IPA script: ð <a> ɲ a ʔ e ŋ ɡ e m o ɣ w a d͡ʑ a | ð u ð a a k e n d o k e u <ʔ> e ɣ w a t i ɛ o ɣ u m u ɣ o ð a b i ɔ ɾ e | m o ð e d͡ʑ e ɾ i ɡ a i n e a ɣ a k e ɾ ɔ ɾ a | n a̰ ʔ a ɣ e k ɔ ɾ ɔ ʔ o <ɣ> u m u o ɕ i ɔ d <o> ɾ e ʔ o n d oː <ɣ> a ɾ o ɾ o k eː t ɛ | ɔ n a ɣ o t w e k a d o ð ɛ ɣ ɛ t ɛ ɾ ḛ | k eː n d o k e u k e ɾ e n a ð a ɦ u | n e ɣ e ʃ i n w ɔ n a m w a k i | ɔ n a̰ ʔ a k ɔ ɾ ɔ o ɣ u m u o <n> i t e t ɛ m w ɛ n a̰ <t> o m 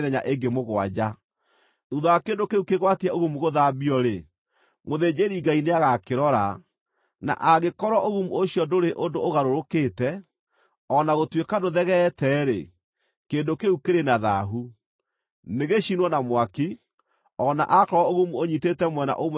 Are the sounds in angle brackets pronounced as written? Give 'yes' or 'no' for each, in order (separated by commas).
no, no, yes, yes, yes, no, no